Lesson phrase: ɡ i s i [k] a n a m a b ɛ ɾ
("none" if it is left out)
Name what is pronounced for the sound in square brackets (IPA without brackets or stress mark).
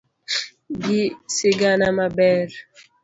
ɡ